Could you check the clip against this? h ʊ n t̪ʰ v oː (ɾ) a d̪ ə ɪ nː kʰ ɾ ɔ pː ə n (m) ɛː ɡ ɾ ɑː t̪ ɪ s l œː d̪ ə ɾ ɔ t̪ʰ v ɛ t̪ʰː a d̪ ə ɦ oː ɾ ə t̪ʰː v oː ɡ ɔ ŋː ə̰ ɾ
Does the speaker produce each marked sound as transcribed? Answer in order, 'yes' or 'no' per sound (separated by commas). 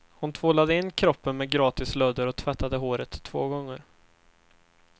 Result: no, yes